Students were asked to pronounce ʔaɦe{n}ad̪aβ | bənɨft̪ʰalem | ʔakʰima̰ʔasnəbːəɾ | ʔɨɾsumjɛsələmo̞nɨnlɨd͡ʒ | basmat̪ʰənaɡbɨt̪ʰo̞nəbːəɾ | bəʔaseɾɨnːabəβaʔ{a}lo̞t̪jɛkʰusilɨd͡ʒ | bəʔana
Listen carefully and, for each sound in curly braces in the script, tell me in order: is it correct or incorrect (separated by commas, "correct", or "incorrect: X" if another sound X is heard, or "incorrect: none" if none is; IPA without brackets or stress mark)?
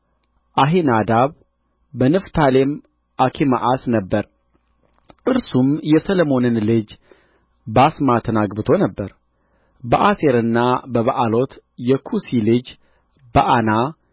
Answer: correct, correct